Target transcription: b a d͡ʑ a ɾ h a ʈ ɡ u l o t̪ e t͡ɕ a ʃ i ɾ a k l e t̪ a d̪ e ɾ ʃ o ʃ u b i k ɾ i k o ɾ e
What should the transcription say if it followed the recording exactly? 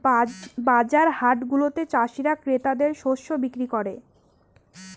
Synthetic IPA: b a d͡ʑ a ɾ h a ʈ ɡ u l o t̪ e t͡ɕ a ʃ i ɾ a k ɾ e t̪ a d̪ e ɾ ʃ o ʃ o b i k ɾ i k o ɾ e